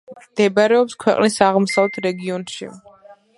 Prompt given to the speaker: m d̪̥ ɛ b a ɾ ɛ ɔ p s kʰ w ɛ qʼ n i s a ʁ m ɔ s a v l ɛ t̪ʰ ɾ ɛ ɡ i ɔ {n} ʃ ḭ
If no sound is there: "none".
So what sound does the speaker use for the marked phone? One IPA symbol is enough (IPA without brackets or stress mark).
n